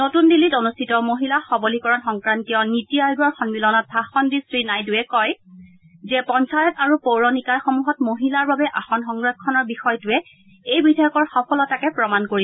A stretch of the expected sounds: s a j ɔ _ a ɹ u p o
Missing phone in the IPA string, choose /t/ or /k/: t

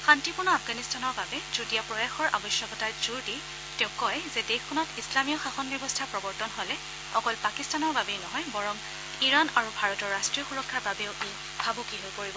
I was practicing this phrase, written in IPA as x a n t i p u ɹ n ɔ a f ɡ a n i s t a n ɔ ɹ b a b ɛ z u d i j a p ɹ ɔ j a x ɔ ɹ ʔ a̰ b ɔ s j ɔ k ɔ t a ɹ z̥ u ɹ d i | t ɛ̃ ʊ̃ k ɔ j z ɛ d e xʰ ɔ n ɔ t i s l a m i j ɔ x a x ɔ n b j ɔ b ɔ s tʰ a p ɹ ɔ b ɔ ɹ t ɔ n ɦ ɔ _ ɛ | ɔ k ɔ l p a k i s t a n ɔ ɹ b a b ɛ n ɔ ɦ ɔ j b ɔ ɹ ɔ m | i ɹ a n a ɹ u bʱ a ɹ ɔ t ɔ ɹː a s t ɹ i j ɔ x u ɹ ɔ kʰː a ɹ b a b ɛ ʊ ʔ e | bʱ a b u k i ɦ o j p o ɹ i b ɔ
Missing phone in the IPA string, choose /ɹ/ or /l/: l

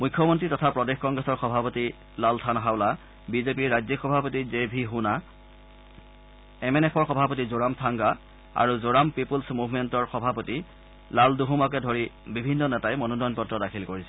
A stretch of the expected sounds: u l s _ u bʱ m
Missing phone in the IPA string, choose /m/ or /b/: m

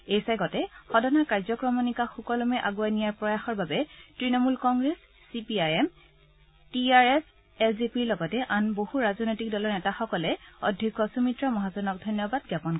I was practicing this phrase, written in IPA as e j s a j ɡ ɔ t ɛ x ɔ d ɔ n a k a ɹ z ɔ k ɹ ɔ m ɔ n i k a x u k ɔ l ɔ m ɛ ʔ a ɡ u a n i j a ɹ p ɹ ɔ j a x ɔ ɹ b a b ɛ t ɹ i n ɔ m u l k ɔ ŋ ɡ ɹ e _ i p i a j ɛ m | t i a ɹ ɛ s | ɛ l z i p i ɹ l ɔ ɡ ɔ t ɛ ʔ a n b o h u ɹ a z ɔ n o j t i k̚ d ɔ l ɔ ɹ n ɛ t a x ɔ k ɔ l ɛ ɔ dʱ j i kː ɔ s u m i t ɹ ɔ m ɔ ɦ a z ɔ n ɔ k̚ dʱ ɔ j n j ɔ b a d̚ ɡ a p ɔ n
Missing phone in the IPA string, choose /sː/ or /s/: sː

